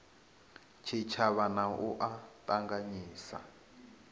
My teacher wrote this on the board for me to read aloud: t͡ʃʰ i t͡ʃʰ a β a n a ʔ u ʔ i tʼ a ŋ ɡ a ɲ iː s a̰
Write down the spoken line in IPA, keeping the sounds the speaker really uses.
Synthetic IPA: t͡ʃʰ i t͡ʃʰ a β a n a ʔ u ʔ a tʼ a ŋ ɡ a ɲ iː s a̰